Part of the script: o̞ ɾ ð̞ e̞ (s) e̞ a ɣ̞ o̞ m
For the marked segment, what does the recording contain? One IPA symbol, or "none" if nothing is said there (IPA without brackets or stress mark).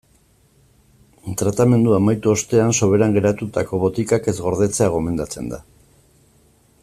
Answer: t͡s